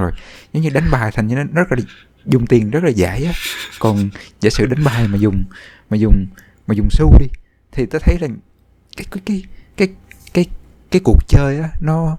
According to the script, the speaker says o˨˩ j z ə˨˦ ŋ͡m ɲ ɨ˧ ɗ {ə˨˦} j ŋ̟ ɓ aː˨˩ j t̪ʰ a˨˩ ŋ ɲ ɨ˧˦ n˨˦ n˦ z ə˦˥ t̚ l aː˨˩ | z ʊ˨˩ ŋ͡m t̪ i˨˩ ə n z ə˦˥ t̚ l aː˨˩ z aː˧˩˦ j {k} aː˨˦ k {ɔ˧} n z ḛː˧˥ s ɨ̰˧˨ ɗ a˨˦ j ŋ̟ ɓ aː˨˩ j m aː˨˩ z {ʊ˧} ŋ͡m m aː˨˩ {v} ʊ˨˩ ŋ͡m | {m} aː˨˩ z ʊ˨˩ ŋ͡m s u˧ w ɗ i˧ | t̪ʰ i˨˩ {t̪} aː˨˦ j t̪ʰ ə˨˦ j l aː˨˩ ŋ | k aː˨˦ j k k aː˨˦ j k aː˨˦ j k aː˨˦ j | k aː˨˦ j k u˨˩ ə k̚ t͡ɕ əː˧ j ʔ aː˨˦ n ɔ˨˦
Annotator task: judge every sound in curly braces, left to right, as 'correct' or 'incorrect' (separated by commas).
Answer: incorrect, incorrect, incorrect, incorrect, incorrect, correct, correct